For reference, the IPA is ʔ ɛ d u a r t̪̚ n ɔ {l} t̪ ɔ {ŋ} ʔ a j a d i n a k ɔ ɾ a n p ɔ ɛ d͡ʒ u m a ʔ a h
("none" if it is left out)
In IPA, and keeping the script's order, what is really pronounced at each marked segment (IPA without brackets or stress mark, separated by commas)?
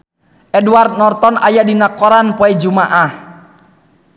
r, n